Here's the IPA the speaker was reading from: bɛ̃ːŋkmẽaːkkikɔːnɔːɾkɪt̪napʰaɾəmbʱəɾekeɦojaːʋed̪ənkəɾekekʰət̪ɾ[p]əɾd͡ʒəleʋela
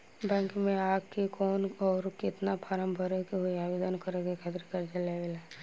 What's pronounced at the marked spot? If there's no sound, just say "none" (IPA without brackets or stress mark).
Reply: k